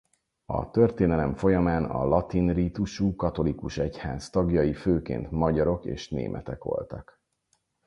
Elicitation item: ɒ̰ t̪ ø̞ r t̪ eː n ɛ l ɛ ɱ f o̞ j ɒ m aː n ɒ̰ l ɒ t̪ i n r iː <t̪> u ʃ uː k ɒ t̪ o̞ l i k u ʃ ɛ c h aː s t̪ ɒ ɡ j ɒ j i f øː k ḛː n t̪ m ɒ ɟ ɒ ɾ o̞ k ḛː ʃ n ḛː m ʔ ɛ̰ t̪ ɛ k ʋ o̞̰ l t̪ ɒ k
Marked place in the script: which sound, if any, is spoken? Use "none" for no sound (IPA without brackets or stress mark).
t̪